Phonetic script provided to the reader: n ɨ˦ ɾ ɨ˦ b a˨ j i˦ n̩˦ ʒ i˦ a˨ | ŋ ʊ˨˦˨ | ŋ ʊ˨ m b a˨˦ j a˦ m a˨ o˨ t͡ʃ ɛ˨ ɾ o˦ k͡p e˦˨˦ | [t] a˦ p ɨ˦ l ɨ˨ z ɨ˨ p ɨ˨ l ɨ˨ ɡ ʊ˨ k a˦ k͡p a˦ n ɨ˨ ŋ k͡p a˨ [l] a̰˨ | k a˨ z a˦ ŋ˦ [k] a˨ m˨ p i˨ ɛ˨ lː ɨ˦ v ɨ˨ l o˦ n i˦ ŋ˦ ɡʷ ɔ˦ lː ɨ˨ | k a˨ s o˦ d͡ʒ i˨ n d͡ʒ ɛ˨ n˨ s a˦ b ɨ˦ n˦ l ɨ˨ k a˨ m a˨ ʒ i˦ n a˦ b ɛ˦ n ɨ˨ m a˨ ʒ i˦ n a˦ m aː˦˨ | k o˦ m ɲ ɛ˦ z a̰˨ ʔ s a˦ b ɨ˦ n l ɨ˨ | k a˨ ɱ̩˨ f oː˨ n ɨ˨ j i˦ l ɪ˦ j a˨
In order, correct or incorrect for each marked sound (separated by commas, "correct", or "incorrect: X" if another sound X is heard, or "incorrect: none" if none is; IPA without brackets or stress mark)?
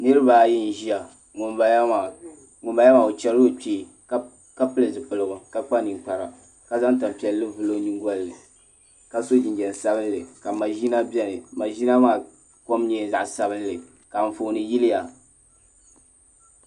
incorrect: k, incorrect: ɾ, incorrect: t